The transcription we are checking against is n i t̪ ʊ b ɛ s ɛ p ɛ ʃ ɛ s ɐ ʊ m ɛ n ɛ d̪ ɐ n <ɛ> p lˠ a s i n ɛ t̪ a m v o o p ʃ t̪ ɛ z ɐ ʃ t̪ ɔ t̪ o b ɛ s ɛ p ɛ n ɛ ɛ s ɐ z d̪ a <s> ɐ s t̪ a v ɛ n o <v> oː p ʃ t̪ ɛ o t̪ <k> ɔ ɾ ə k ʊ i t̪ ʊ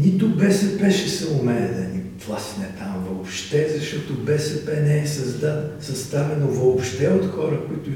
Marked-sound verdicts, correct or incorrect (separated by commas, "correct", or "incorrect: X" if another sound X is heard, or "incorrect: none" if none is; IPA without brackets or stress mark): incorrect: i, correct, correct, incorrect: x